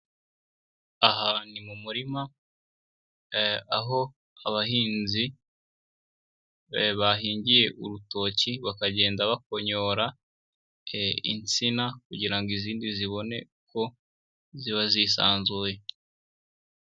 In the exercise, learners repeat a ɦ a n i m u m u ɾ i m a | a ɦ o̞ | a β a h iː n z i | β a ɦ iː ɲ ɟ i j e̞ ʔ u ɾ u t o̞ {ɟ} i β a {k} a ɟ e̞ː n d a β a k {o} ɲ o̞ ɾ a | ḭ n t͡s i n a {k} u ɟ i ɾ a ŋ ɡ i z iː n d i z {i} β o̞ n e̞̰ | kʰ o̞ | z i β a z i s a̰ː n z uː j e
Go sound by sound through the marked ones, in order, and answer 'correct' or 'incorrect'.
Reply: incorrect: c, correct, correct, correct, correct

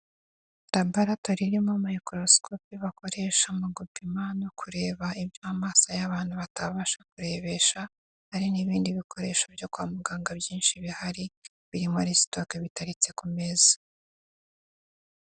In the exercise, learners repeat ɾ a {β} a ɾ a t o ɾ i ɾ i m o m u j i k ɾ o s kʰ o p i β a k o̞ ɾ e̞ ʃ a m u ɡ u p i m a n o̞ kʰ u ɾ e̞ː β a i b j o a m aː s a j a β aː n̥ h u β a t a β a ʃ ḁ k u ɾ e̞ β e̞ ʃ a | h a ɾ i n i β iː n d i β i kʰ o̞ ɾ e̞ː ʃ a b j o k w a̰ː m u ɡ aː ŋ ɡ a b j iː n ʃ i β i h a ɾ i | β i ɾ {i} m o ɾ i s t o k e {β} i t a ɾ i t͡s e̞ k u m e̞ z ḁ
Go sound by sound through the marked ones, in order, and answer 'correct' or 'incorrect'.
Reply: incorrect: b, correct, correct

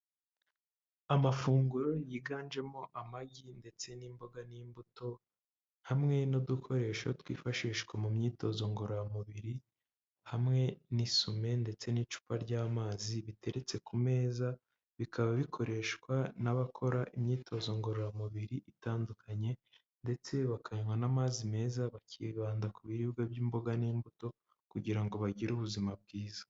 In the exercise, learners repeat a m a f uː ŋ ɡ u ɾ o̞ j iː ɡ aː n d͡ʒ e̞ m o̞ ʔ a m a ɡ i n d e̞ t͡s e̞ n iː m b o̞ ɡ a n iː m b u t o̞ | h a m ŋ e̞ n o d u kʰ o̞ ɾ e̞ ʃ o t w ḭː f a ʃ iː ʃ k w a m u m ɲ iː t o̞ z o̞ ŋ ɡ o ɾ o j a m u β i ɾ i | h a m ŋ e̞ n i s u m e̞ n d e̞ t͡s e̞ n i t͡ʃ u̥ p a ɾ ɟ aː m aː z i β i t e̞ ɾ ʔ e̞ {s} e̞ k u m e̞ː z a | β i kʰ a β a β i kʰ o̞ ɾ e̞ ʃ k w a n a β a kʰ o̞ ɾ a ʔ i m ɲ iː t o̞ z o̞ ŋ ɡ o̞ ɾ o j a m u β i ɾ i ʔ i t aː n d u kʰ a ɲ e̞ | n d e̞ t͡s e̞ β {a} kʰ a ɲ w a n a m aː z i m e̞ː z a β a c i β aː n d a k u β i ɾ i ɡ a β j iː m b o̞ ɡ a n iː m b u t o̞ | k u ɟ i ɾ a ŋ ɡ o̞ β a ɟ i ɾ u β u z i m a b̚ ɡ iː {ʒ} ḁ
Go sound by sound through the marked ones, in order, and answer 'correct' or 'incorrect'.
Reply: incorrect: t͡s, correct, incorrect: z

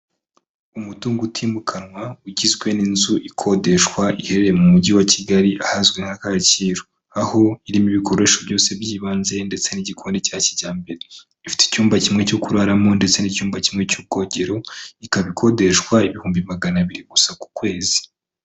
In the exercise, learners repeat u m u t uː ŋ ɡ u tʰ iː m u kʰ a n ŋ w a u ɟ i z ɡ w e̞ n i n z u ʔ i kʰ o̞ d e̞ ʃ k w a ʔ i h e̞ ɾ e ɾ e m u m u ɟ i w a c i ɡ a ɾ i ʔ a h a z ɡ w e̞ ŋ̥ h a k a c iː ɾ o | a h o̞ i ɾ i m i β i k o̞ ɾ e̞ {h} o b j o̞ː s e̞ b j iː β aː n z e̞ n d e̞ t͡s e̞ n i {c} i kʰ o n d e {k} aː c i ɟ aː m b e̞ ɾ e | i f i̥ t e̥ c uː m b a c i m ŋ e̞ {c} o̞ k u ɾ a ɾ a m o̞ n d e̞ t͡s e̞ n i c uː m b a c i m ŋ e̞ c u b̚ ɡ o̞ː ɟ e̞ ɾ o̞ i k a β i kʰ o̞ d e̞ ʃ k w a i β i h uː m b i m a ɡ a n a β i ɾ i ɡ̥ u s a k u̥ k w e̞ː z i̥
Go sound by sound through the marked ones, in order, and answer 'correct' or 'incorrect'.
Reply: incorrect: ʃ, incorrect: ɟ, incorrect: c, correct

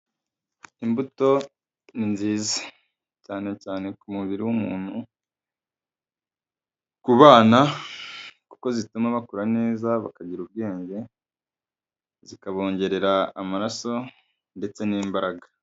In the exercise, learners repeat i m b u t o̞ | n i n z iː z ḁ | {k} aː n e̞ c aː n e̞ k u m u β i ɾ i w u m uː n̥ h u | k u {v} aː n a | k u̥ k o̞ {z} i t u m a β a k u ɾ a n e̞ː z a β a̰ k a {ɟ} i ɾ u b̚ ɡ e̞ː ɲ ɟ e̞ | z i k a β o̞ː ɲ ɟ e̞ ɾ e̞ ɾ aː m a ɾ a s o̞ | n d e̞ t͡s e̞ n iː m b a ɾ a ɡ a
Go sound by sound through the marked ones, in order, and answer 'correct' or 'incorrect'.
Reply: incorrect: c, incorrect: β, correct, correct

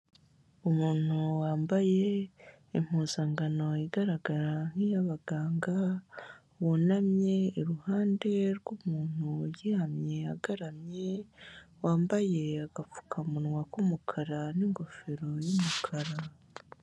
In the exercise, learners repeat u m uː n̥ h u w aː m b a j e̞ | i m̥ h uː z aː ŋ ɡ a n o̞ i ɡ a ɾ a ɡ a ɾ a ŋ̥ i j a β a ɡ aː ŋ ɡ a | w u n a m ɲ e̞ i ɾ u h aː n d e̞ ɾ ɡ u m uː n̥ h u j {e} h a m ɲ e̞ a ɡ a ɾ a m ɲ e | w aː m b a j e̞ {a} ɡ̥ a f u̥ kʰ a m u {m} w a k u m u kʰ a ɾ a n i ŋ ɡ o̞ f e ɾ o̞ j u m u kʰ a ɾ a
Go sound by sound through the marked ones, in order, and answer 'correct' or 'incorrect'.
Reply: incorrect: i, correct, incorrect: n

